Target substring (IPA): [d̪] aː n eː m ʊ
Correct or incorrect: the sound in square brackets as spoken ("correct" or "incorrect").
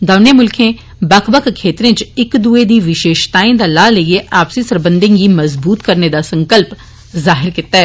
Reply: correct